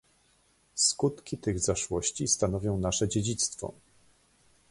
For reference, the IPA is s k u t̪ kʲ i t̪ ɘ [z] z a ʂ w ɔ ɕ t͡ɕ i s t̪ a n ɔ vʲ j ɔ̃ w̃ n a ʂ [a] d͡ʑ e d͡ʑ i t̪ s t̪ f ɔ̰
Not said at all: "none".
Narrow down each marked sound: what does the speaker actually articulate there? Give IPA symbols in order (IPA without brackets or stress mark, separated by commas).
ɣ, ɛ